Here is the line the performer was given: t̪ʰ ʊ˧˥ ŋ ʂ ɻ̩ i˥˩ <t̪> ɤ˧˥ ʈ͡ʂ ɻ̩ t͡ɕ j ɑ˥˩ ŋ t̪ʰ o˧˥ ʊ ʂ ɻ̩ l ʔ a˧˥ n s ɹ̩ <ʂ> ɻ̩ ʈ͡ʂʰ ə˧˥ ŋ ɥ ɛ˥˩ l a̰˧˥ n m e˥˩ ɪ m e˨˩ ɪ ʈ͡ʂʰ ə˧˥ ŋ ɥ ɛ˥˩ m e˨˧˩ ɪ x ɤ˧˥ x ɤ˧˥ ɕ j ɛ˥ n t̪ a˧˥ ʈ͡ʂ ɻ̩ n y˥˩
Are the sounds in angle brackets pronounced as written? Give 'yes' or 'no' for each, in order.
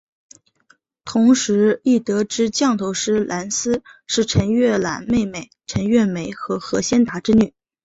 yes, yes

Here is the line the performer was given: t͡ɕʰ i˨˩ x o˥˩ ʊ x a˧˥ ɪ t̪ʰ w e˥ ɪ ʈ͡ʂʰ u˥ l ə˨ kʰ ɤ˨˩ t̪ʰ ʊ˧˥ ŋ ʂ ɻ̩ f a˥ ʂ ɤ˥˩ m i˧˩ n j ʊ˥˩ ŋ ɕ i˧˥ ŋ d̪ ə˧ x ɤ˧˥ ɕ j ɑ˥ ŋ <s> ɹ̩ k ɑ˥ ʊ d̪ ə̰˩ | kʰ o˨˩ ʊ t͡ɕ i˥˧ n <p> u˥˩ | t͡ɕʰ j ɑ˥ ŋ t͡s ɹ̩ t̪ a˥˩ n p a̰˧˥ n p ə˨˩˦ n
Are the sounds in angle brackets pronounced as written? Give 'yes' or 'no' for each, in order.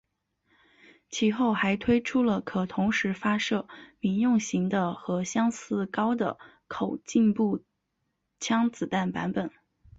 yes, yes

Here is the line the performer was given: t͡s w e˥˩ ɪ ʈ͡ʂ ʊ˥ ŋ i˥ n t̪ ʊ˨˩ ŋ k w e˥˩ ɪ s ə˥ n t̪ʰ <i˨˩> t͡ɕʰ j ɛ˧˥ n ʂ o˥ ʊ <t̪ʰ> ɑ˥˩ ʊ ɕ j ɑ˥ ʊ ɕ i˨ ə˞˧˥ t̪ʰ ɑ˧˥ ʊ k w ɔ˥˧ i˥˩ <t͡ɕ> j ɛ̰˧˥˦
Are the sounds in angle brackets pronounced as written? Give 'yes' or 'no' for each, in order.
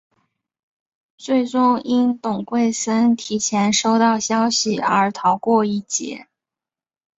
yes, no, yes

